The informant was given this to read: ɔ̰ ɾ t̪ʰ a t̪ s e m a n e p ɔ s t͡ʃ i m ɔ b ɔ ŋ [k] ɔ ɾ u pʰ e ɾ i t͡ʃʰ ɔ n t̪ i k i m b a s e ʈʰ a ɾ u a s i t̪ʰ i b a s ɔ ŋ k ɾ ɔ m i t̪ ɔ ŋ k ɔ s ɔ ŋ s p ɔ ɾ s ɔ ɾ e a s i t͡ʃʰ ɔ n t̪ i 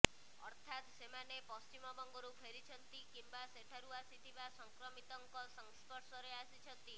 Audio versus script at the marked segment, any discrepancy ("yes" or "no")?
yes